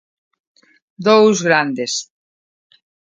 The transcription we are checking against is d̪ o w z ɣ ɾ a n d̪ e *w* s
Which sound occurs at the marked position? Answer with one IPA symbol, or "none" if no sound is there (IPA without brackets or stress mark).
none